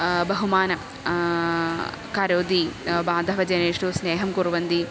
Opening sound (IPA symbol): b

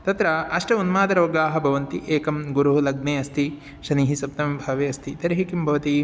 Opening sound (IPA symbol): t̪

